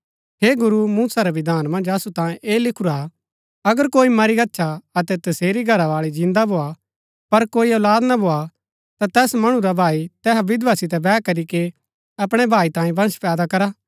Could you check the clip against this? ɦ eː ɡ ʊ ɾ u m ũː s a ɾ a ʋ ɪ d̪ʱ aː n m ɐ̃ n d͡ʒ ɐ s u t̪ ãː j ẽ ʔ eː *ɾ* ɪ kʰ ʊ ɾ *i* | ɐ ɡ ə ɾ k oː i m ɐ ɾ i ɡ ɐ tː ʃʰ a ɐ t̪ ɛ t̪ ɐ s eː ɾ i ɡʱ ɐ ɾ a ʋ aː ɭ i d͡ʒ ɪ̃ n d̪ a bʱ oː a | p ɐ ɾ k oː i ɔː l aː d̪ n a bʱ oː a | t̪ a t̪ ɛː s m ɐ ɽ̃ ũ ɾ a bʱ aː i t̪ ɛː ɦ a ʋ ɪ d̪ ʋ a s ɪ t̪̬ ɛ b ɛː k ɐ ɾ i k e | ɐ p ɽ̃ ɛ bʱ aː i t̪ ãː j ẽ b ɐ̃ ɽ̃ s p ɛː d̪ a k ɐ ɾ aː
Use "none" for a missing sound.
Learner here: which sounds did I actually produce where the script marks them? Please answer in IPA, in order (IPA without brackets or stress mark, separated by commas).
l, a